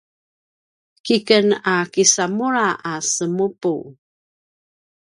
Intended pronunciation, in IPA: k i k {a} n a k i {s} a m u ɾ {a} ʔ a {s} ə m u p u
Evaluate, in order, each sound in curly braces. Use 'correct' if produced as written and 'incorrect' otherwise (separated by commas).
incorrect, correct, correct, correct